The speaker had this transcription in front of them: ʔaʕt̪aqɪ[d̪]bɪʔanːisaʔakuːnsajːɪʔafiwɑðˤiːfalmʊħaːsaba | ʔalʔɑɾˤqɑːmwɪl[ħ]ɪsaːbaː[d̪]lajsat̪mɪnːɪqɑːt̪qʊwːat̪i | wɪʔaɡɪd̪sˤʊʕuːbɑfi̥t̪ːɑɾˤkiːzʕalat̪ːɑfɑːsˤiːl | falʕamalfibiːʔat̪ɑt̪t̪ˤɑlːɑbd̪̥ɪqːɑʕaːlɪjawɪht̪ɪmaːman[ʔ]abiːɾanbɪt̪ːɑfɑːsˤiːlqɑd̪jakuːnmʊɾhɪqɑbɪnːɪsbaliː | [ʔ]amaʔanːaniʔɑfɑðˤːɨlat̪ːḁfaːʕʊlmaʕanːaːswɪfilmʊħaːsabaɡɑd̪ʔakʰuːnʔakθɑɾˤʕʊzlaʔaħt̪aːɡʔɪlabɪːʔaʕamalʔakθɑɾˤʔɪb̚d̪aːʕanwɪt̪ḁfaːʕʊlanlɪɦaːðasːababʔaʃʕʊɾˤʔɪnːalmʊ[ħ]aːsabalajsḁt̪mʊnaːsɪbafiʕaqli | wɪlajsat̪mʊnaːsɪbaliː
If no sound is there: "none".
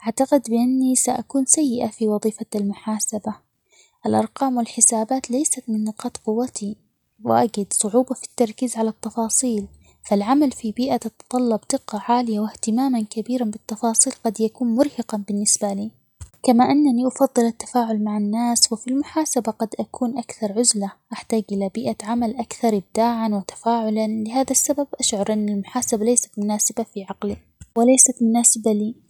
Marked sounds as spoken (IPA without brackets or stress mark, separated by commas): d̪, ħ, t̪, k, k, ħ